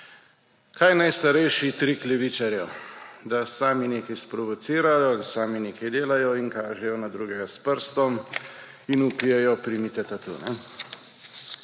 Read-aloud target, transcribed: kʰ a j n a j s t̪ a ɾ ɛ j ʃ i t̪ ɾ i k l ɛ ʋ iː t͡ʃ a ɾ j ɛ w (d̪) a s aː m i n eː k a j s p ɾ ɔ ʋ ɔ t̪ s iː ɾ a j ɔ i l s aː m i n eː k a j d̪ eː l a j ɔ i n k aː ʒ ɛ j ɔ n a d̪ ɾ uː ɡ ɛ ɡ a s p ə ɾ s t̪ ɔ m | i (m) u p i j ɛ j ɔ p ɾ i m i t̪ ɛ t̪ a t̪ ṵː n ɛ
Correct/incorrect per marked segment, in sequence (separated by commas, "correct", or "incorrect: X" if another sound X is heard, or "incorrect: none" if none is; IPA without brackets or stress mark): correct, incorrect: n